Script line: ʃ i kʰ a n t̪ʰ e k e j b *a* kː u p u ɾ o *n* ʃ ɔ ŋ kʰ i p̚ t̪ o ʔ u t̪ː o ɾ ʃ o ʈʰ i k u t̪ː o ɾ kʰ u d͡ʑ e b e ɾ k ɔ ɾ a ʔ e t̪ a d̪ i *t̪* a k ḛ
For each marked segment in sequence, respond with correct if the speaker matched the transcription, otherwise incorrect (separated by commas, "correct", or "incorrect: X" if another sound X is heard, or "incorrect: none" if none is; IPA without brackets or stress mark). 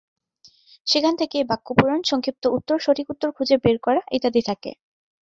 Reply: correct, correct, incorrect: t̪ʰ